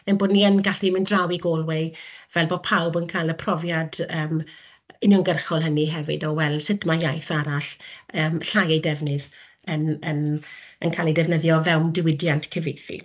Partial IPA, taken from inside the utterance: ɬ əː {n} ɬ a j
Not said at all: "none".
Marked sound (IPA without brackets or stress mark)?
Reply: m